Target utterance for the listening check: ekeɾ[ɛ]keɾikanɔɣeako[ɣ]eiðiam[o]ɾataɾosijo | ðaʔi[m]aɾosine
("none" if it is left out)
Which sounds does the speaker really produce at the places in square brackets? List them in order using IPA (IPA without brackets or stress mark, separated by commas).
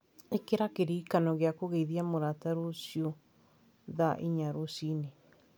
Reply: a, ɣ, o, ɲ